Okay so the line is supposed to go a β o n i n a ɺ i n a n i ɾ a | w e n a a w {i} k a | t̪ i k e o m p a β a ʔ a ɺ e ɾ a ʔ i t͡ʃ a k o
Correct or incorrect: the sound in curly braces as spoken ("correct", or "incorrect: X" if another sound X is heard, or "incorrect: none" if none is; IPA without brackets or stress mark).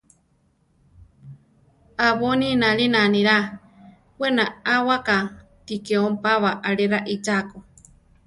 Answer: incorrect: a